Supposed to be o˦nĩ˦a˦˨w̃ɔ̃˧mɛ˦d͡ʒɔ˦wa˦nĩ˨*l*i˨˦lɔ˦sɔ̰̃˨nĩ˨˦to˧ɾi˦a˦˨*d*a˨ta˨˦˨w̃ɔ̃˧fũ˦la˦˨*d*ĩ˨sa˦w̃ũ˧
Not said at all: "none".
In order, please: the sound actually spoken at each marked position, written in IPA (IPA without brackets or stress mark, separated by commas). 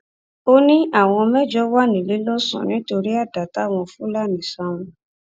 l, d, n